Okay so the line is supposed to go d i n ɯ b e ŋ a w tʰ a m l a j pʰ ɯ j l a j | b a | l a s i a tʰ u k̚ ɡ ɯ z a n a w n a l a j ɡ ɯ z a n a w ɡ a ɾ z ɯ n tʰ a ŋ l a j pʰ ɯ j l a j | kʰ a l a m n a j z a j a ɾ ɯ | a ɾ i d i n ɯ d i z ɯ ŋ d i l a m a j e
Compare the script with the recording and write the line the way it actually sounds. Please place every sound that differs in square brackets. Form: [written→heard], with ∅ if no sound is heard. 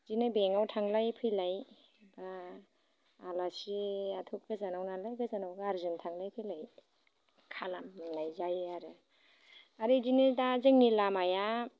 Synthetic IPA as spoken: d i n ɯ b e ŋ a w tʰ a [m→ŋ] l a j pʰ ɯ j l a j | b a | l a s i a tʰ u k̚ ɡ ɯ z a n a w n a l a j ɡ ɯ z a n a w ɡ a ɾ z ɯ n tʰ a ŋ l a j pʰ ɯ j l a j | kʰ a l a m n a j z a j a ɾ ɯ | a ɾ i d i n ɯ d [i→a] z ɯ ŋ [d→n] i l a m a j [e→a]